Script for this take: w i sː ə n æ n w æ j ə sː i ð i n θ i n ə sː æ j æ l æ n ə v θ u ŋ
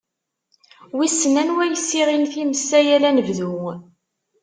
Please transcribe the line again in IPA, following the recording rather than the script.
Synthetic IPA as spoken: w i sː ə n æ n w æ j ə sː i ʁ i n θ i m ə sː æ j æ l æ n ə v ð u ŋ